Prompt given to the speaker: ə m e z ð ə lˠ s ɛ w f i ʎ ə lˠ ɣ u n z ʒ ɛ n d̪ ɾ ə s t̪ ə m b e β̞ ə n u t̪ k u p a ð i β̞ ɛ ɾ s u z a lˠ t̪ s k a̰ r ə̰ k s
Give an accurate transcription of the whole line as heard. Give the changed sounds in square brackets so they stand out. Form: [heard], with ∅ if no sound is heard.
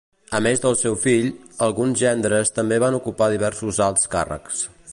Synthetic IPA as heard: ə m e z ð ə lˠ s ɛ w f i ʎ ə lˠ ɣ u n z ʒ ɛ n d̪ ɾ ə s t̪ ə m b e β̞ [a] n u [∅] k u p a ð i β̞ ɛ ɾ s u z a lˠ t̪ s k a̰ r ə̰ k s